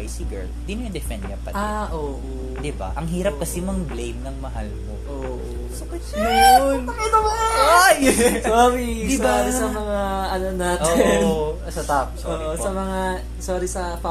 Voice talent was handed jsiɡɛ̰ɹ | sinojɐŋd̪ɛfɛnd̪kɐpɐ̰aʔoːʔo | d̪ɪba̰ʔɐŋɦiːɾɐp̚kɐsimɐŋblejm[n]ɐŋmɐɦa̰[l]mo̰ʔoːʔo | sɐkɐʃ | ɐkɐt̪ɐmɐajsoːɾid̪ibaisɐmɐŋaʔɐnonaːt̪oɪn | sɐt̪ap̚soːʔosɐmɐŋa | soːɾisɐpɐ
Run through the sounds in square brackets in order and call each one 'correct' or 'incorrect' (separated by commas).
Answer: correct, correct